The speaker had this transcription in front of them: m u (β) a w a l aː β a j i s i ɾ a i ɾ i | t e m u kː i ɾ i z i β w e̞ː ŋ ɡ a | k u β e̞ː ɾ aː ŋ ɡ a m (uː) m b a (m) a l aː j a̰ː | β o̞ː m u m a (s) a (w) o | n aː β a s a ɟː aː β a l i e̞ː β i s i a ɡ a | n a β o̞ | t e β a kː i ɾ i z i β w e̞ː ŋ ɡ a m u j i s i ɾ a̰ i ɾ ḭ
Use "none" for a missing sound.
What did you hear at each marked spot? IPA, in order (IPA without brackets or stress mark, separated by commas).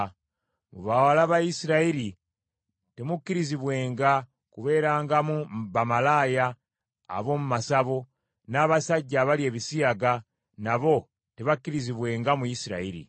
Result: β, u, m, s, β